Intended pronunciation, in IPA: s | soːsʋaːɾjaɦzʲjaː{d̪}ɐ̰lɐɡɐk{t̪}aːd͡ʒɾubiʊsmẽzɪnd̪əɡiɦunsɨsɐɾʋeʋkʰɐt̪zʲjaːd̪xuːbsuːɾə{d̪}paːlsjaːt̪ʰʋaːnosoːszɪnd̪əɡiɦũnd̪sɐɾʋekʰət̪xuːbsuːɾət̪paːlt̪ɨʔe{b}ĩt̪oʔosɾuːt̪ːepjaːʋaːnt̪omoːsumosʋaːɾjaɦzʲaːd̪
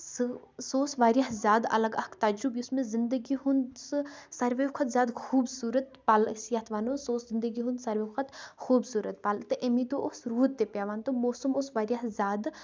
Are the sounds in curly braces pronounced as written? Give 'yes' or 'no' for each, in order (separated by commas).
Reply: yes, yes, no, no